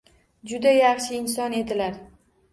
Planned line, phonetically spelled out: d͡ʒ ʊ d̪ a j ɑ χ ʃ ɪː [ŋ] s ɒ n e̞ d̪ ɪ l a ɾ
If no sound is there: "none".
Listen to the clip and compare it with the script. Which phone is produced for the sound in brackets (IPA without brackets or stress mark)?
n